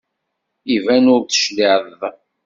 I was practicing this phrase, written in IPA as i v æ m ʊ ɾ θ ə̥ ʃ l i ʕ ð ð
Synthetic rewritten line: i v æ n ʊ ɾ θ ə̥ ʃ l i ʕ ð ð